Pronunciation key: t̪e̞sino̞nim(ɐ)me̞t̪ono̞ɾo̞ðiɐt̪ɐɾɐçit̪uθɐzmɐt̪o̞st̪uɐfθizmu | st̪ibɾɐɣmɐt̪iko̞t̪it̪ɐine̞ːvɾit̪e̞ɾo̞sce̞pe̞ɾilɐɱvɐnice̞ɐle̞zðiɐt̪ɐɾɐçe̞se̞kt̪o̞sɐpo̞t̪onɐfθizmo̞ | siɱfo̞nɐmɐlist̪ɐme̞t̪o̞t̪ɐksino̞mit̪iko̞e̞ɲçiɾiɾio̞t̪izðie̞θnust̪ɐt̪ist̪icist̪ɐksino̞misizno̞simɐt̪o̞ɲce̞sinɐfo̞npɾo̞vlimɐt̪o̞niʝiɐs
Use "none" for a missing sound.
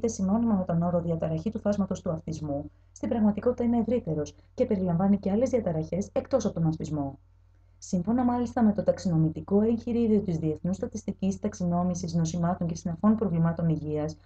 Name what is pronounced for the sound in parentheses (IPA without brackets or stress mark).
ɐ